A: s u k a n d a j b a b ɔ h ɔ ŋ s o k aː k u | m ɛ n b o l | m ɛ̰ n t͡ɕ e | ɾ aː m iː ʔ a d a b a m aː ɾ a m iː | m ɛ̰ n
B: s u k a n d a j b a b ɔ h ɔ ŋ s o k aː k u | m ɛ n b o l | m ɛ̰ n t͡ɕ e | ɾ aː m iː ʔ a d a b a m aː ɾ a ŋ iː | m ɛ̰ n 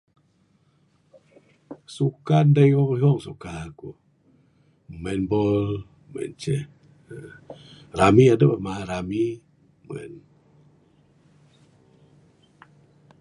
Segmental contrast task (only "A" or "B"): A